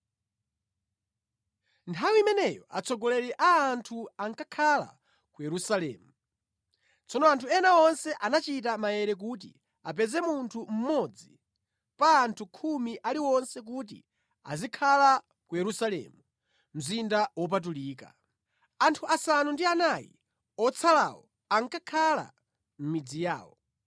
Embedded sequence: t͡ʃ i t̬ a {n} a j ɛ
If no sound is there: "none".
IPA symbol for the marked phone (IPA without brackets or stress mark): m